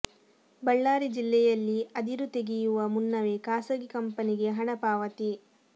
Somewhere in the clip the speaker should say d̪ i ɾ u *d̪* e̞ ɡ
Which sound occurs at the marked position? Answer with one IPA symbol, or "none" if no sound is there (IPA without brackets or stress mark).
t̪